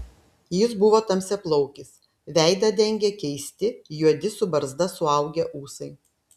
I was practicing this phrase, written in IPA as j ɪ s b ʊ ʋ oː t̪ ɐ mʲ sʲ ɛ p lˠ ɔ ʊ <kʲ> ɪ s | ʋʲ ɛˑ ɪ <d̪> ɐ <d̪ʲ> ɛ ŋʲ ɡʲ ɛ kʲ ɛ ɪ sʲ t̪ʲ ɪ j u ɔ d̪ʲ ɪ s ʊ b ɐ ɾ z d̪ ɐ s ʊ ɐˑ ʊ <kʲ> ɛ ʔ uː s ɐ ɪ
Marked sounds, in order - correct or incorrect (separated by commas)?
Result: correct, correct, correct, incorrect